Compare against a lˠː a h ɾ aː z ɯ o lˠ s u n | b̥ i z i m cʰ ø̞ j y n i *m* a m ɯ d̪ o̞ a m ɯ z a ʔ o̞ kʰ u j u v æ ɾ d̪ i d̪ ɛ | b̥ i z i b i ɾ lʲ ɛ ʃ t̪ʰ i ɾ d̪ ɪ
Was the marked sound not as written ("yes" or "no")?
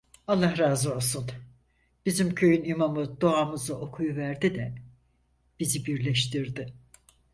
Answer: no